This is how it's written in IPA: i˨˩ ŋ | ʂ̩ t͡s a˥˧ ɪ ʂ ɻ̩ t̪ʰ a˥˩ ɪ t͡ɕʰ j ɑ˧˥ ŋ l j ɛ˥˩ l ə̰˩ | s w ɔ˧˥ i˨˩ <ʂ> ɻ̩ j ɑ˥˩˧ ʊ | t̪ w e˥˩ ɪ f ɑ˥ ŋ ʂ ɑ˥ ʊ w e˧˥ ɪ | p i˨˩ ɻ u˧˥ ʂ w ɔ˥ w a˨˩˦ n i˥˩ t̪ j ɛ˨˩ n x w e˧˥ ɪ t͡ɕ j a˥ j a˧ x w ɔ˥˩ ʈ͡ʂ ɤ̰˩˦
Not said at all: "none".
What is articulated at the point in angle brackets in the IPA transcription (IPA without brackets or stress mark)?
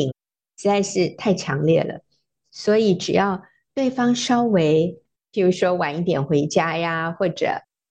ʈ͡ʂ